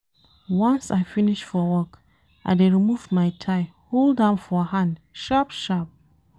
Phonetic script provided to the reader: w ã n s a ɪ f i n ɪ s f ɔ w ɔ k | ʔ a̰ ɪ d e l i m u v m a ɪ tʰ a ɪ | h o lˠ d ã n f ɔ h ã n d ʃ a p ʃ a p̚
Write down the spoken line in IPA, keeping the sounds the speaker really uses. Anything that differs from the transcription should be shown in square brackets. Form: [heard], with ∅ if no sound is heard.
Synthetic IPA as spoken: w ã n s a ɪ f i n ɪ [ʃ] f ɔ w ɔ k | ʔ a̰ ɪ d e [ɹ] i m u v m a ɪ tʰ a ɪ | h o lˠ d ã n f ɔ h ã n d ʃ a p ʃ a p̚